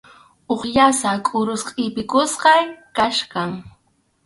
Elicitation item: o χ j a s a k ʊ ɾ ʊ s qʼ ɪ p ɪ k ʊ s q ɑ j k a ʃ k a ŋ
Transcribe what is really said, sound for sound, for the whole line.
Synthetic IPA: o χ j a s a kʼ ʊ ɾ ʊ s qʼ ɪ p ɪ k ʊ s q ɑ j k a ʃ k a ŋ